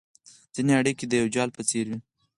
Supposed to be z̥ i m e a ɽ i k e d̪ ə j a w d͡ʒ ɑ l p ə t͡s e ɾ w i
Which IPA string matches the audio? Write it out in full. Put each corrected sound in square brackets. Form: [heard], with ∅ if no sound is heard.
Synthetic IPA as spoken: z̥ i [n] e a ɽ i k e d̪ ə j a w d͡ʒ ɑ l p ə t͡s e ɾ w i